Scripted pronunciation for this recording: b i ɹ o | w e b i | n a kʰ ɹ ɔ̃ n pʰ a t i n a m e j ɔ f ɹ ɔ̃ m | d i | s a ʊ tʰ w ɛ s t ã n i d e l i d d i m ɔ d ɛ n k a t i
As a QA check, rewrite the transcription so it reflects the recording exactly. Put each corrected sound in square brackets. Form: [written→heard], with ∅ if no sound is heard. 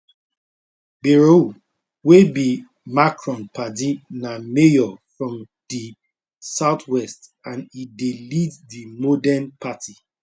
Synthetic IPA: b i ɹ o | w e b i | [n→m] a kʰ ɹ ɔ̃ n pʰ a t i n a m e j ɔ f ɹ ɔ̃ m | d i | s a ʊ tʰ w ɛ s t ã n i d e l i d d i m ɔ d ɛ n [k→p] a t i